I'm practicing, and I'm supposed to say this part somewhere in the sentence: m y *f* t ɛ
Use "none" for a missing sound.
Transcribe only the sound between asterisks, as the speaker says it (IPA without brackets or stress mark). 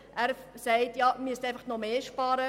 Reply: s